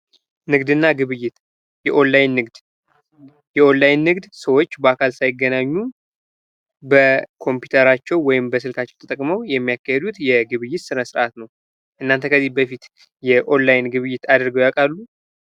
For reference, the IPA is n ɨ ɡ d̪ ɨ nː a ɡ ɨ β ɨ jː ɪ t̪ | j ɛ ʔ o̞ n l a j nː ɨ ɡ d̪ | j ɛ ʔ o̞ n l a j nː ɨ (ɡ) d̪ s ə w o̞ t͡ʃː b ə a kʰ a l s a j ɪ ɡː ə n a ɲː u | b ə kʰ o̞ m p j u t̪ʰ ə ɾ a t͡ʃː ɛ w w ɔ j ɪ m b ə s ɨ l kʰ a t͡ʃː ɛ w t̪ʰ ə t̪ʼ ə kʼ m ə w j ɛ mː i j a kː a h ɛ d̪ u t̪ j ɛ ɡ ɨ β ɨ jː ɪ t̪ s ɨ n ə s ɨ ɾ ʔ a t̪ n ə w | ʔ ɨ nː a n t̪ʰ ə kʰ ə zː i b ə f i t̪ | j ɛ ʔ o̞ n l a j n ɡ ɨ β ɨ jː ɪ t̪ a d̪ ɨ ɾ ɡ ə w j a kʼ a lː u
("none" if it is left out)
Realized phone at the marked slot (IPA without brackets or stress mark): ɡ